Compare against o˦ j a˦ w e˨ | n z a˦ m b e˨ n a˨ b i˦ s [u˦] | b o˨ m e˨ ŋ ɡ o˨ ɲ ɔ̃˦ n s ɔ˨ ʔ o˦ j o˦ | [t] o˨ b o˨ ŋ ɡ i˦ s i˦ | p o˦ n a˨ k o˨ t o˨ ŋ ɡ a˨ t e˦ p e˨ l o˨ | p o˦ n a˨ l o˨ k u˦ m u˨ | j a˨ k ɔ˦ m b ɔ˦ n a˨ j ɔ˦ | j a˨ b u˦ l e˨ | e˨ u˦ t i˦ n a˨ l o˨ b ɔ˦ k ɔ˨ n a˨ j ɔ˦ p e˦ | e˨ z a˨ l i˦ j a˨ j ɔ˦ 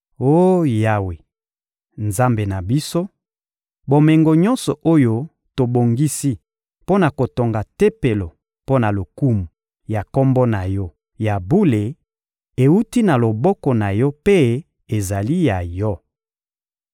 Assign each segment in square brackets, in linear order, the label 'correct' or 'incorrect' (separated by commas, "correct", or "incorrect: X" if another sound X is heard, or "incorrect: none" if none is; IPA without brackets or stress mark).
incorrect: o˦, correct